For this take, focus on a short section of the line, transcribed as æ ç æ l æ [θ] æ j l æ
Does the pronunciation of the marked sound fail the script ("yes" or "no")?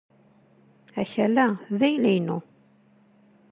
yes